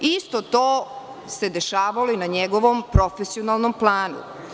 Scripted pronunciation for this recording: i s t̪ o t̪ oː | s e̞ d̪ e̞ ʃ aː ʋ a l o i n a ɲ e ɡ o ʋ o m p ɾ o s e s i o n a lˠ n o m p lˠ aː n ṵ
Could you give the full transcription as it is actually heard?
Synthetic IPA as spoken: i s t̪ o t̪ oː | s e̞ d̪ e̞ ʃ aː ʋ a l o i n a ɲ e ɡ o ʋ o m p ɾ o f e s i o n a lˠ n o m p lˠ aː n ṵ

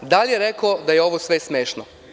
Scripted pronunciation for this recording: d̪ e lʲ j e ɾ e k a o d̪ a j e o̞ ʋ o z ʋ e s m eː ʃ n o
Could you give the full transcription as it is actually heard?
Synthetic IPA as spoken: d̪ a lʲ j e ɾ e k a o d̪ a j e o̞ ʋ o s ʋ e s m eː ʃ n o

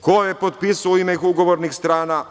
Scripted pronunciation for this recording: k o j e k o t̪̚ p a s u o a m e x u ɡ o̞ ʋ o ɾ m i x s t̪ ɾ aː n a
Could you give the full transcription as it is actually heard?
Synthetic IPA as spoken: k o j e p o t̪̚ p i s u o i m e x u ɡ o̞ ʋ o ɾ n i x s t̪ ɾ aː n a

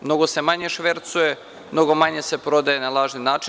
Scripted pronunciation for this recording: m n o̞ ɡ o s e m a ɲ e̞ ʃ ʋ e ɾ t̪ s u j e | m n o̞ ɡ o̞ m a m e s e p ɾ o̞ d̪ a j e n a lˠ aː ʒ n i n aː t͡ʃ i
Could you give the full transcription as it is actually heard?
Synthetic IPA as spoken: m n o̞ ɡ o s e m a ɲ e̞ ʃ ʋ e ɾ t̪ s u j e | m n o̞ ɡ o̞ m a ɲ e s e p ɾ o̞ d̪ a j e n a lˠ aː ʒ n i n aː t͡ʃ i

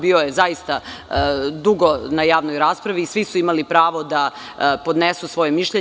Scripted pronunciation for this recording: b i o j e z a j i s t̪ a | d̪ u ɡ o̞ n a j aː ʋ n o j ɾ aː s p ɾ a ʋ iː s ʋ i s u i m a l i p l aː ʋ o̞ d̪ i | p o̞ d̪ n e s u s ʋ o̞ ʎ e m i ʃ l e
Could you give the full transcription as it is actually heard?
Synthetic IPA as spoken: b i o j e z a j i s t̪ a | d̪ u ɡ o̞ n a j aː ʋ n o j ɾ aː s p ɾ a ʋ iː s ʋ i s u i m a l i p ɾ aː ʋ o̞ d̪ a | p o̞ d̪ n e s u s ʋ o̞ j e m i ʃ ʎ e

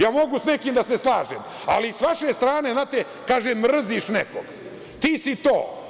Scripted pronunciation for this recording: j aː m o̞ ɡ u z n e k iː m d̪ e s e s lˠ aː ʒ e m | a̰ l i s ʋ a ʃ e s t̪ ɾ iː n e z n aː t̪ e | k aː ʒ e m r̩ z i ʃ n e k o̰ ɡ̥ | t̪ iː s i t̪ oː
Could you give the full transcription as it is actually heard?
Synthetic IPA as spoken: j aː m o̞ ɡ u s n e k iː m d̪ a s e s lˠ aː ʒ e m | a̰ l i s ʋ a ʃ e s t̪ ɾ aː n e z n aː t̪ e | k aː ʒ e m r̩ z i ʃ n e k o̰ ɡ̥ | t̪ iː s i t̪ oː

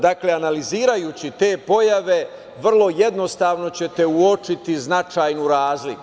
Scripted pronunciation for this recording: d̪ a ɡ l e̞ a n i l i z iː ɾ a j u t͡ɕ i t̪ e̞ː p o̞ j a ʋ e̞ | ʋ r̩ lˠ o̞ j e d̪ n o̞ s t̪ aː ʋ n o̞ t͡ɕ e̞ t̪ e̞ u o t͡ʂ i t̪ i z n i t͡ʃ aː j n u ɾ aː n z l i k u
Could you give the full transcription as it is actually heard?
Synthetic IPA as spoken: d̪ a k l e̞ a n a l i z iː ɾ a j u t͡ɕ i t̪ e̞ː p o̞ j a ʋ e̞ | ʋ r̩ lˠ o̞ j e d̪ n o̞ s t̪ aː ʋ n o̞ t͡ɕ e̞ t̪ e̞ u o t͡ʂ i t̪ i z n a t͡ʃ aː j n u ɾ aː z l i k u

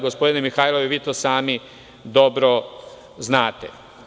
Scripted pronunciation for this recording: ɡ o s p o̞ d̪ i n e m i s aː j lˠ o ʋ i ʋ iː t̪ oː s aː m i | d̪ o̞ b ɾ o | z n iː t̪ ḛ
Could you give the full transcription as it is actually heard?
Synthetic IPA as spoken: ɡ o s p o̞ d̪ i n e m i x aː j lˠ o ʋ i ʋ iː t̪ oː s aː m i | d̪ o̞ b ɾ o | z n aː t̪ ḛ

